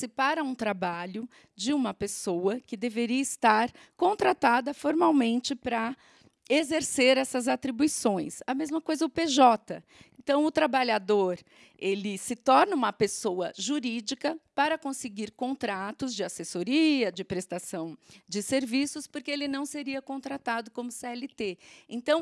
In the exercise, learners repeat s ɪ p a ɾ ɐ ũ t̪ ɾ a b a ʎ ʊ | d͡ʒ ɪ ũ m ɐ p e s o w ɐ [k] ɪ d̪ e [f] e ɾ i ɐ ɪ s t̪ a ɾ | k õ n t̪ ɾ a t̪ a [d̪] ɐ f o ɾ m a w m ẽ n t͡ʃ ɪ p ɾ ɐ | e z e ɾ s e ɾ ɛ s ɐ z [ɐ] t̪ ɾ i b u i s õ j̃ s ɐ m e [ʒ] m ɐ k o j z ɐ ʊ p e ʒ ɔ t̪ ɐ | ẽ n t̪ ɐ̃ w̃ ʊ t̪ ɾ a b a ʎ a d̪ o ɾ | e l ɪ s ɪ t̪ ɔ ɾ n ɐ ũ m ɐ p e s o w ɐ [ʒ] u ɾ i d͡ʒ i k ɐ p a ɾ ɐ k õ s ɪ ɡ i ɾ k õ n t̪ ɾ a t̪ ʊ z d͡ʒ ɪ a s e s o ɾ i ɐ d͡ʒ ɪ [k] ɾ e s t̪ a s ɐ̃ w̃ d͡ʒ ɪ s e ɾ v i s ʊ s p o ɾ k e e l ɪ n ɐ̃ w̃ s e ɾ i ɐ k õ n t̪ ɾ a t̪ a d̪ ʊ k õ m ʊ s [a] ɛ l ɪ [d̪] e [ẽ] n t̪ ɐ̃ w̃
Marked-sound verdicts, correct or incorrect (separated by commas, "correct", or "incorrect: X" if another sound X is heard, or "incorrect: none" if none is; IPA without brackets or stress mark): correct, incorrect: v, correct, incorrect: a, incorrect: z, correct, incorrect: p, incorrect: e, incorrect: t̪, correct